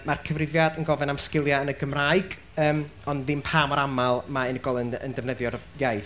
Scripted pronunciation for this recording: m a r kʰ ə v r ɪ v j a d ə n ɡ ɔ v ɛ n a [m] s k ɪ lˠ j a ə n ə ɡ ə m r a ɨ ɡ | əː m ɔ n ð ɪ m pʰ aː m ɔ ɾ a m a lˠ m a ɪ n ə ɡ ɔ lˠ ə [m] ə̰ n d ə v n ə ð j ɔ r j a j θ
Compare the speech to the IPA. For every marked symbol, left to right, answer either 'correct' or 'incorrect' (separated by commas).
correct, incorrect